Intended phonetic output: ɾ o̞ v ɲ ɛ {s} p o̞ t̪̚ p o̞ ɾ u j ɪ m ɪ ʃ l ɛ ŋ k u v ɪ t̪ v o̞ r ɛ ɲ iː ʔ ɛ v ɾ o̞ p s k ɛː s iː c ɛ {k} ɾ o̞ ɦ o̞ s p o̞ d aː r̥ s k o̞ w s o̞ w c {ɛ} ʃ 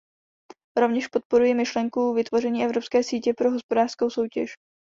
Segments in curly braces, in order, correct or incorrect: incorrect: ʃ, incorrect: p, correct

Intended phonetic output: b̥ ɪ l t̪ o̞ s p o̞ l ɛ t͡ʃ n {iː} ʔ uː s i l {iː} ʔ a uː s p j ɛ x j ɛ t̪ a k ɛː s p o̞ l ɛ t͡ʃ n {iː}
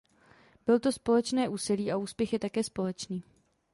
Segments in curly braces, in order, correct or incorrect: incorrect: ɛː, correct, correct

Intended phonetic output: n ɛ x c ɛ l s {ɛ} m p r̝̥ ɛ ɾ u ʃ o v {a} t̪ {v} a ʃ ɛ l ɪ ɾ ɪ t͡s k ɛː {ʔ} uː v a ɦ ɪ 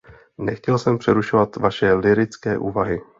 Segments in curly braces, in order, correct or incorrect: correct, correct, correct, correct

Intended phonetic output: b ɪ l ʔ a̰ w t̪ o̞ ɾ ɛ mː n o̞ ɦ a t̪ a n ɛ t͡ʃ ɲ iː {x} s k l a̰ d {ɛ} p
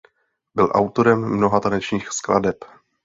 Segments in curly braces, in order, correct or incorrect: correct, correct

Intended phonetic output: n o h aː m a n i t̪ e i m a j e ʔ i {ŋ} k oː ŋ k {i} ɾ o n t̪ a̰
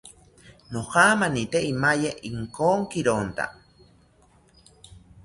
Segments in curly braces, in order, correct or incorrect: correct, correct

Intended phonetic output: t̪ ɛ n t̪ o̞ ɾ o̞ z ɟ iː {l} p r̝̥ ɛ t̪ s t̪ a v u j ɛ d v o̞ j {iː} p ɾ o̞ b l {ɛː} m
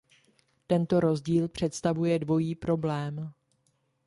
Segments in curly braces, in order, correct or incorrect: correct, correct, correct

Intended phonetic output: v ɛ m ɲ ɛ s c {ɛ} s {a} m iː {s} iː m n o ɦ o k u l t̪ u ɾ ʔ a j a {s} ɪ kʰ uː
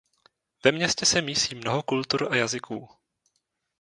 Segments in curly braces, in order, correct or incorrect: correct, incorrect: ɛ, correct, incorrect: z

